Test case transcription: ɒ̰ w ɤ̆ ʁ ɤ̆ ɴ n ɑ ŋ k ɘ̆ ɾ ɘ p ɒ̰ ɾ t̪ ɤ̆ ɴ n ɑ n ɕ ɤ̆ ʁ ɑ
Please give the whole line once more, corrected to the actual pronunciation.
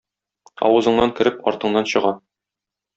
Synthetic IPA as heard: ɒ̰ w ɤ̆ z ɤ̆ ɴ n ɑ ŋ k ɘ̆ ɾ ɘ p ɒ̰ ɾ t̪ ɤ̆ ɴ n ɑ n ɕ ɤ̆ ʁ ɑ